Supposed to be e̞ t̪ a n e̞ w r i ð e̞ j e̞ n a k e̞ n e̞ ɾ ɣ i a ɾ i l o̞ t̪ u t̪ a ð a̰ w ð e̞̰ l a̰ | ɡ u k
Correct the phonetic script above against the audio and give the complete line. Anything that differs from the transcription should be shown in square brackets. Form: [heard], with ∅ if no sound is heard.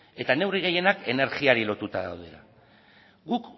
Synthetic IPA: e̞ t̪ a n e̞ w r i [ɣ] e̞ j e̞ n a k e̞ n e̞ ɾ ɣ i a ɾ i l o̞ t̪ u t̪ a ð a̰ w ð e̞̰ l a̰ | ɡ u k